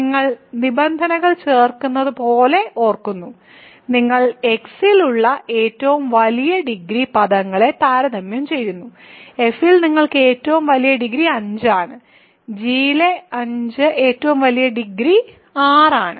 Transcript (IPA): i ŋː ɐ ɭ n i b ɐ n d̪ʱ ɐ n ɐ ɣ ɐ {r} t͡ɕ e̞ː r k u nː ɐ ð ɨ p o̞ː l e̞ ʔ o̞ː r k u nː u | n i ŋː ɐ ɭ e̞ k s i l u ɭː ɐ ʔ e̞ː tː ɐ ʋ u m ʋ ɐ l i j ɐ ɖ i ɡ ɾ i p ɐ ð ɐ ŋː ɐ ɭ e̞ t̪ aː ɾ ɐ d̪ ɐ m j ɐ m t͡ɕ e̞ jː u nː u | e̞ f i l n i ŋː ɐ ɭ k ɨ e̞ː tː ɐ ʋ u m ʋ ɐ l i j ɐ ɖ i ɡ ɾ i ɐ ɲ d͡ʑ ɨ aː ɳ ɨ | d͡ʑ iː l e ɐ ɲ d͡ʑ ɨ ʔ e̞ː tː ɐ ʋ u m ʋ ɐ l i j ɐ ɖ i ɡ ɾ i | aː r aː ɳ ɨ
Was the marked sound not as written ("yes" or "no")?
yes